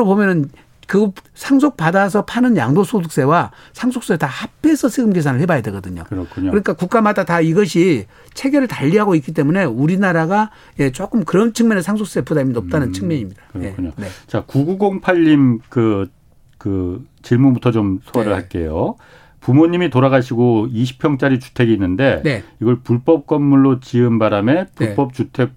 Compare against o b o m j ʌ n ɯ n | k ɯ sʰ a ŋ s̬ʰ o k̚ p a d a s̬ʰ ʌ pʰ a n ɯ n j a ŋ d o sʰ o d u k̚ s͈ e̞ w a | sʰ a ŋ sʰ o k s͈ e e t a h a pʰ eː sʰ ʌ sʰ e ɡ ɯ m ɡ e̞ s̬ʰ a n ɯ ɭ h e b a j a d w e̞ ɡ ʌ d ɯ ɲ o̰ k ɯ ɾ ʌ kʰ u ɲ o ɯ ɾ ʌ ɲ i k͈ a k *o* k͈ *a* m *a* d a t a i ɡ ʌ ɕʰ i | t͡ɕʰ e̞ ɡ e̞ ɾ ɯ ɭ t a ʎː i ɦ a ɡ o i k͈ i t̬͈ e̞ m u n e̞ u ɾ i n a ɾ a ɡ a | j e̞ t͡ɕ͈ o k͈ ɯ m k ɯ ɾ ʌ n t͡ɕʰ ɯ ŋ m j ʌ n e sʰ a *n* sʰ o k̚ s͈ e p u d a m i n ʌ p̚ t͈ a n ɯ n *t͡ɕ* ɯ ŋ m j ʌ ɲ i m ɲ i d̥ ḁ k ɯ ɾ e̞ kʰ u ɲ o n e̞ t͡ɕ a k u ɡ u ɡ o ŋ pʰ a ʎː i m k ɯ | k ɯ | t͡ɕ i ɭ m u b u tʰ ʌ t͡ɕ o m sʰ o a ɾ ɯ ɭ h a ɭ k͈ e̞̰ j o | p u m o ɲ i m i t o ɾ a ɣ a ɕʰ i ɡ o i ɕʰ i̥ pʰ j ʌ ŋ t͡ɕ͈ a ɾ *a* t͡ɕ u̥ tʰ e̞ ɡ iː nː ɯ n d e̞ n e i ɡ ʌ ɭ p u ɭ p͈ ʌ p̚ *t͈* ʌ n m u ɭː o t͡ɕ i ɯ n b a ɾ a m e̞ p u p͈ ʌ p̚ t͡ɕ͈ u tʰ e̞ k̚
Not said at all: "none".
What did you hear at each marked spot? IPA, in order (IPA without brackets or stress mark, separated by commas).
u, a, a, ŋ, t͡ɕʰ, i, k͈